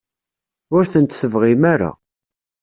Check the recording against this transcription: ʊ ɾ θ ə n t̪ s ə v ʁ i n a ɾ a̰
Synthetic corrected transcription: ʊ ɾ θ ə n t̪ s ə v ʁ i m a ɾ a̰